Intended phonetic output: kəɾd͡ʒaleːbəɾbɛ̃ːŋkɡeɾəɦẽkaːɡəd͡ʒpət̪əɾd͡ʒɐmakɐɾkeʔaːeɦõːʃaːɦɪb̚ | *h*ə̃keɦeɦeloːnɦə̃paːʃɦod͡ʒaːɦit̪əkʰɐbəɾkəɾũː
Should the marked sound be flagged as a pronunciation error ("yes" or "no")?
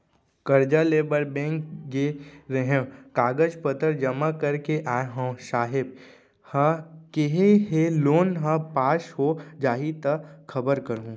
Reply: no